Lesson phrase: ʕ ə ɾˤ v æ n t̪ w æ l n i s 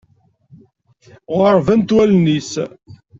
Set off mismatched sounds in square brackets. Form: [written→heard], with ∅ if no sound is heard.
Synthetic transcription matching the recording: [ʕ→ʁ] ə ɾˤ v æ n t̪ w æ l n i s